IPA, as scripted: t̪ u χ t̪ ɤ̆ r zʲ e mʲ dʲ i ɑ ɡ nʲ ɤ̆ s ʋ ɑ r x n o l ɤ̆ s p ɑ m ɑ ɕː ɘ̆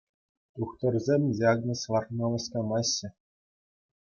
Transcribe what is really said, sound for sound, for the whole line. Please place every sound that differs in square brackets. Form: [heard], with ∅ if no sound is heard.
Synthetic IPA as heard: t̪ u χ t̪ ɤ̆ r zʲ e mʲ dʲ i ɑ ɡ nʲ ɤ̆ s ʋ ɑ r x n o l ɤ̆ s [k] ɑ m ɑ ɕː ɘ̆